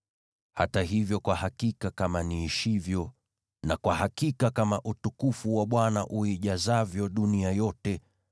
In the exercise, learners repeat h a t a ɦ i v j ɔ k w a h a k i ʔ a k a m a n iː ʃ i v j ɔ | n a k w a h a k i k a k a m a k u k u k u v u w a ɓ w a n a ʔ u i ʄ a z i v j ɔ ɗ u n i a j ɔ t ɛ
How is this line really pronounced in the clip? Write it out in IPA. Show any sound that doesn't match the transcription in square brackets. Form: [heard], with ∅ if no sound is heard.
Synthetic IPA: h a t a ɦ i v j ɔ k w a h a k i [k] a k a m a n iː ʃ i v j ɔ | n a k w a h a k i k a k a m a [ʔ] u [t] u k u [f] u w a ɓ w a n a ʔ u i ʄ a z [a] v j ɔ ɗ u n i a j ɔ t ɛ